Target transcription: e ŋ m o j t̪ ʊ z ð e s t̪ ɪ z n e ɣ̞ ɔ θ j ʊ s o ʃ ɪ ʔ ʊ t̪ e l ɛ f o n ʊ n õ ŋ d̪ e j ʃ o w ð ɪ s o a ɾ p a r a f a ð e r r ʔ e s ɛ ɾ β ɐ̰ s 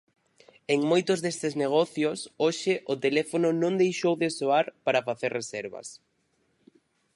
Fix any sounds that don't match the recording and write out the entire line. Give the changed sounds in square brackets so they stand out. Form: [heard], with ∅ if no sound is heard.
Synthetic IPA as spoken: e ŋ m o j t̪ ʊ z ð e s t̪ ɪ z n e ɣ̞ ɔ θ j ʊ s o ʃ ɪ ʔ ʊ t̪ e l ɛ f o n ʊ n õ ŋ d̪ e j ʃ o w ð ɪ s o a ɾ p a [ɾ] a f a [θ] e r r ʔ e s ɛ ɾ β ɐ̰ s